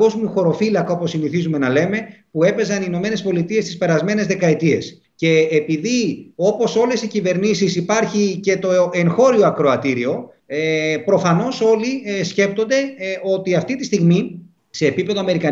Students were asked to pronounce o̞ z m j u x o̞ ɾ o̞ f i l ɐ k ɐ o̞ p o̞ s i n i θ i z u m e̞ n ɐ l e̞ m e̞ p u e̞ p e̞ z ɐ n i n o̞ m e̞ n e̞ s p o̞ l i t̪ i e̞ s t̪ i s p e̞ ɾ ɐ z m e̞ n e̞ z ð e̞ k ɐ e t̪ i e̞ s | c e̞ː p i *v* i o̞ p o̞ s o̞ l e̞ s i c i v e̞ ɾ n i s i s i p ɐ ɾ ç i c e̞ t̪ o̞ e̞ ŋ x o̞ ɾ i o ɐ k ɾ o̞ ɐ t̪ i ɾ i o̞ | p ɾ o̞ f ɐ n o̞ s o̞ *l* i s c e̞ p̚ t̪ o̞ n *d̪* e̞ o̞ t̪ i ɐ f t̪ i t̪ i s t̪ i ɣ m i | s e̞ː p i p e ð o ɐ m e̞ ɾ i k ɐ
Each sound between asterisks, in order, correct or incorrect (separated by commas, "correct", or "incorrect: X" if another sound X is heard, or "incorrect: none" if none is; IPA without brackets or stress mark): incorrect: ð, correct, correct